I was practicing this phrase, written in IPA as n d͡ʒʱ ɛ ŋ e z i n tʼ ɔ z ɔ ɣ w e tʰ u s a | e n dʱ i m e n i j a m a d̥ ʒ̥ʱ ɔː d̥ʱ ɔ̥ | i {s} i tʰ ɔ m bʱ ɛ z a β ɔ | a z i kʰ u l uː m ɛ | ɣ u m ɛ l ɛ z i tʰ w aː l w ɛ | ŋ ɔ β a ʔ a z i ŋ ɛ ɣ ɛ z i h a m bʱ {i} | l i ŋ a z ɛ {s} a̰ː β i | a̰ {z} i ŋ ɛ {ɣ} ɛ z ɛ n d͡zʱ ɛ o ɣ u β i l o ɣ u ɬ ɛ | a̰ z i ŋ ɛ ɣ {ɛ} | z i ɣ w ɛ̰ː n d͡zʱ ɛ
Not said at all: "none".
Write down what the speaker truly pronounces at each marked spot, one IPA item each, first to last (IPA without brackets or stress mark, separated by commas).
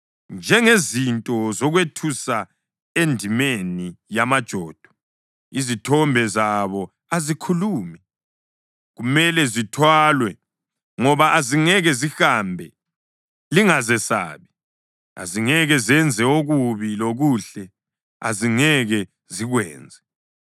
z, ɛ, s, z, ɣ, ɛ